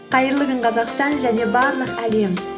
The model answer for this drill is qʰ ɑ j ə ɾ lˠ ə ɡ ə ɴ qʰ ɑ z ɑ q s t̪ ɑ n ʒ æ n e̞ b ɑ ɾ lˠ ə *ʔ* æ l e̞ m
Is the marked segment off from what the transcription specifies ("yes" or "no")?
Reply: yes